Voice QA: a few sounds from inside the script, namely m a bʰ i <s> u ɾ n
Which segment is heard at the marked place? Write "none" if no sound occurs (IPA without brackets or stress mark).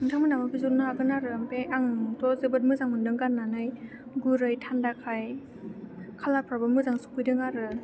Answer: z